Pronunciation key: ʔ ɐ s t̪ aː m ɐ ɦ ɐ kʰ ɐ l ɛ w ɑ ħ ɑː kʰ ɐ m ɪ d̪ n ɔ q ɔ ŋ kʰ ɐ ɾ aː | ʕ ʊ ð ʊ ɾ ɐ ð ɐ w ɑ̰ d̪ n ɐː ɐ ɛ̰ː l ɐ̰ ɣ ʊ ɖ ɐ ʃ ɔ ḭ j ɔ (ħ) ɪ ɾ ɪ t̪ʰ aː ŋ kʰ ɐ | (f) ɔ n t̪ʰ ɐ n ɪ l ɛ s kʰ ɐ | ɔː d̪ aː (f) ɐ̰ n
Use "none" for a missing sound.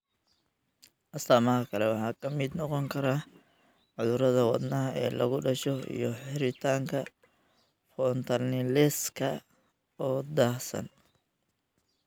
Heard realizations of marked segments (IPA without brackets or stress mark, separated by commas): ħ, f, s